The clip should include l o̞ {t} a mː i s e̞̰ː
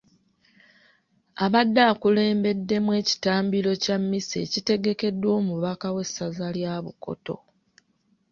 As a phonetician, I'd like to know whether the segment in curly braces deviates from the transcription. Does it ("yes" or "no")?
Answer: yes